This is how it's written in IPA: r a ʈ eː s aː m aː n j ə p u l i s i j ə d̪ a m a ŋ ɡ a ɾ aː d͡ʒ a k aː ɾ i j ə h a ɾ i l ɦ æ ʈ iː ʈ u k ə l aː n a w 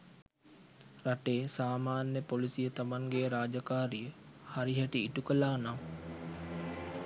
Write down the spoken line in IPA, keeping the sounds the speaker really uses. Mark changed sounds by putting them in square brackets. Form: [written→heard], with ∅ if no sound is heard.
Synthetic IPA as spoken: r a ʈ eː s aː m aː n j ə p [u→o] l i s i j ə [d̪→t̪] a m a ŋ ɡ [a→e] ɾ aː d͡ʒ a k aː ɾ i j ə h a ɾ i [l→∅] ɦ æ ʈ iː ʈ u k ə l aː n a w